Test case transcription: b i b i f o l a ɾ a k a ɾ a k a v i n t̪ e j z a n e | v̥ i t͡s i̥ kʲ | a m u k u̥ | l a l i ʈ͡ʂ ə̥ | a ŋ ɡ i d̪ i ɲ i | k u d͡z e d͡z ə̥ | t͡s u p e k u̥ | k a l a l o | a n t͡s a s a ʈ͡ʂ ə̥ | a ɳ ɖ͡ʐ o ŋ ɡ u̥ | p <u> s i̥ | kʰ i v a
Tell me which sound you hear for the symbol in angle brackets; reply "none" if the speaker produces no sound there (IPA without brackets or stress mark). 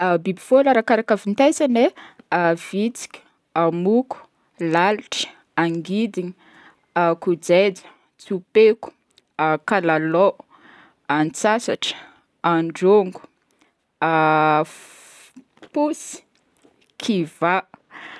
u